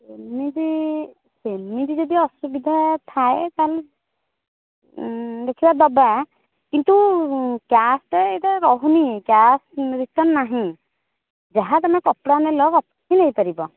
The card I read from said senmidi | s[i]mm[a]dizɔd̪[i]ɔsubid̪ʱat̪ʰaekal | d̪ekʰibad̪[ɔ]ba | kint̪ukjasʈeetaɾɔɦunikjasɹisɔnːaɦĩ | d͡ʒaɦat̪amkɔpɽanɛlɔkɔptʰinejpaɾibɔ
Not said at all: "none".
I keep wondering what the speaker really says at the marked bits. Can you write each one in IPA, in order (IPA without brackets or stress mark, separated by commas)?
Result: e, i, i, ɔ